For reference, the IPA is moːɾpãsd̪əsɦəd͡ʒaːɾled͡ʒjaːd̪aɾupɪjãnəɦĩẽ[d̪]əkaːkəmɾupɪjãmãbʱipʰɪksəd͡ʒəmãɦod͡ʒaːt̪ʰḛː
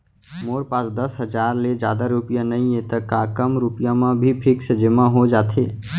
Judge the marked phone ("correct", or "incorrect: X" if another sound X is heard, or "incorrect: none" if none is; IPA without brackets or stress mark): incorrect: t̪